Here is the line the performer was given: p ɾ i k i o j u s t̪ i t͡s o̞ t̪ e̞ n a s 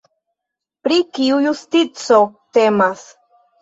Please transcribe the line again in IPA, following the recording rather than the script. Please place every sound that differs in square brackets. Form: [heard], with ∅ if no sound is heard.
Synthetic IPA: p ɾ i k i [u] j u s t̪ i t͡s o̞ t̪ e̞ [m] a s